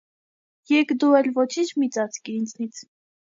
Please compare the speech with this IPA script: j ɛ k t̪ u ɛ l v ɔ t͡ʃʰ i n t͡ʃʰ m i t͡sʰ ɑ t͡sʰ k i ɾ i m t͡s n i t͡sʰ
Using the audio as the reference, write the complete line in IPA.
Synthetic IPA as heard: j ɛ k d̪ u ɛ l v ɔ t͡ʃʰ i n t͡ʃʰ m i t͡s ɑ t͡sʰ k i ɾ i n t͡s n i t͡sʰ